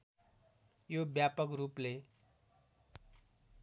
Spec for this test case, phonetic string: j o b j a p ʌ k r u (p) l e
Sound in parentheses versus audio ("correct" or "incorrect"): correct